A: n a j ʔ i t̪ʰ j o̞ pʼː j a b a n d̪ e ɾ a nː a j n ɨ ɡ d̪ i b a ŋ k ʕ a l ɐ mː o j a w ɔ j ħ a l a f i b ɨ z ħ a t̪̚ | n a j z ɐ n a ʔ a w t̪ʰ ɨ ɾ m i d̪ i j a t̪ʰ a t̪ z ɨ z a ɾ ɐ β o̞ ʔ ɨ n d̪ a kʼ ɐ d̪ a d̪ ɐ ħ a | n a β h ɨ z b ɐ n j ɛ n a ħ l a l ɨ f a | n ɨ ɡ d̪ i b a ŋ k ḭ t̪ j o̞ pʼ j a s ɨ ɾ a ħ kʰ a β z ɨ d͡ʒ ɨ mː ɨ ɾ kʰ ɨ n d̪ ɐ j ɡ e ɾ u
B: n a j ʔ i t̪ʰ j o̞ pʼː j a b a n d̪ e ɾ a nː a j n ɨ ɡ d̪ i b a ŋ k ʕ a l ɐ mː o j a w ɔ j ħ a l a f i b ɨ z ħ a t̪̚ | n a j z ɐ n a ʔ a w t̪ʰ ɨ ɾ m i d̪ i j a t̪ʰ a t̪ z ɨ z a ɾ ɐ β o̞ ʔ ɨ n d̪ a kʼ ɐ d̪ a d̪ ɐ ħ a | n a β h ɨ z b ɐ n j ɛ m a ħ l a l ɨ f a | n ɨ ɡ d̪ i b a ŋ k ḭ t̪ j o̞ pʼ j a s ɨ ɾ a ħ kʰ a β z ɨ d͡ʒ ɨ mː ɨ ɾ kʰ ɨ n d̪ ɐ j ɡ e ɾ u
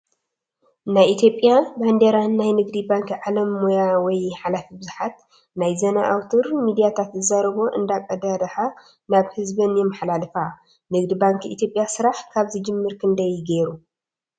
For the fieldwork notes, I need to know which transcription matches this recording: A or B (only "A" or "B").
B